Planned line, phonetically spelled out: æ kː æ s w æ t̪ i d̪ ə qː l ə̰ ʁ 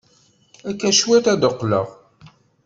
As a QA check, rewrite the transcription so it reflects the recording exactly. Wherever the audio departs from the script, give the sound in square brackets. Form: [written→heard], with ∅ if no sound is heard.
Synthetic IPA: æ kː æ [s→ʃ] w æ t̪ [i→æ] d̪ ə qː l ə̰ ʁ